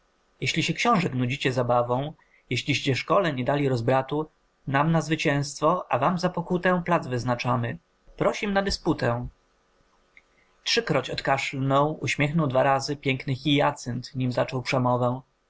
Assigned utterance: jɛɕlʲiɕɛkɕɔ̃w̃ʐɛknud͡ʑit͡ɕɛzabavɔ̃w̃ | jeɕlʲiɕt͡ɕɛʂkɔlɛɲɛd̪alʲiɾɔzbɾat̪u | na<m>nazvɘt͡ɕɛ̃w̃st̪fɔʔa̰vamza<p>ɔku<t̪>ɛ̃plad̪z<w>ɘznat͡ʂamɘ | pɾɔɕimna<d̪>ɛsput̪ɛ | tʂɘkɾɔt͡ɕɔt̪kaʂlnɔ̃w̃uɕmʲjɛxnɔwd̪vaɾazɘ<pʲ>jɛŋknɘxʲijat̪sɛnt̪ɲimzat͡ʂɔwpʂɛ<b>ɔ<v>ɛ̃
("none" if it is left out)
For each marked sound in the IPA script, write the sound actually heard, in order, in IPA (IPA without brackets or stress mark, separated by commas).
m, p, t̪, v, d̪, pʲ, m, v